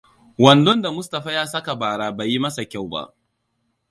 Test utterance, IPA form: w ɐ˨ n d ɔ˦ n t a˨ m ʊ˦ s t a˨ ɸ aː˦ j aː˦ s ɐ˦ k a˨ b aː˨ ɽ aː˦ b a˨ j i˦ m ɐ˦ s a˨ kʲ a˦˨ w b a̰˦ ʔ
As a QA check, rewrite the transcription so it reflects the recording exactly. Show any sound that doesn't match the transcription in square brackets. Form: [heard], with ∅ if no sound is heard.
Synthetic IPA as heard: w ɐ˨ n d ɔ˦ n [d] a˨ m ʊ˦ s t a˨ ɸ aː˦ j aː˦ s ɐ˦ k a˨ b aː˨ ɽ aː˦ b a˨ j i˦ m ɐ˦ s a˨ kʲ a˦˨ w b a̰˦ ʔ